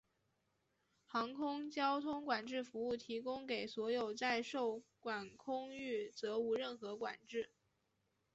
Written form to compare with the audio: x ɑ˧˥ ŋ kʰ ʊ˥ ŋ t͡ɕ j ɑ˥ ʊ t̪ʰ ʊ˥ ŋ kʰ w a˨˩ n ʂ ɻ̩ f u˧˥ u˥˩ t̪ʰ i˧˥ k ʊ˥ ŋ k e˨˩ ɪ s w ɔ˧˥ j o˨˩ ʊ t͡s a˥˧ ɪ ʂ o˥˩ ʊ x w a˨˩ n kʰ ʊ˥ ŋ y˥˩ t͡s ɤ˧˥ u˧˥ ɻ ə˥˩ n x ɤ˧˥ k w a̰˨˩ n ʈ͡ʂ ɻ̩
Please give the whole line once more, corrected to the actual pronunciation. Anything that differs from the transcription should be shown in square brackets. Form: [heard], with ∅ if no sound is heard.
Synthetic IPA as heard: x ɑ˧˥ ŋ kʰ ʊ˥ ŋ t͡ɕ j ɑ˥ ʊ t̪ʰ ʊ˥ ŋ [k] w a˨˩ n [ʈ͡ʂ] ɻ̩ f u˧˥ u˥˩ t̪ʰ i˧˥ k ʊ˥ ŋ k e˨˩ ɪ s w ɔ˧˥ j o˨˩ ʊ t͡s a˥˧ ɪ ʂ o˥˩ ʊ [k] w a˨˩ n kʰ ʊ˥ ŋ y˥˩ t͡s ɤ˧˥ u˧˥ ɻ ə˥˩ n x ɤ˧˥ k w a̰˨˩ n ʈ͡ʂ ɻ̩